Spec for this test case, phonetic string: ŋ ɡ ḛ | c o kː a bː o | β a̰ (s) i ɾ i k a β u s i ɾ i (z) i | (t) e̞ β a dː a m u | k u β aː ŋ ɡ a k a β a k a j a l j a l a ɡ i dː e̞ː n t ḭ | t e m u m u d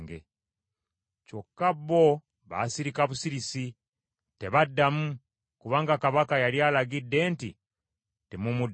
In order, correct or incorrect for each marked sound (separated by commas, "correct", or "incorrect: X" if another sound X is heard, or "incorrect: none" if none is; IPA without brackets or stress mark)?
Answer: correct, incorrect: s, correct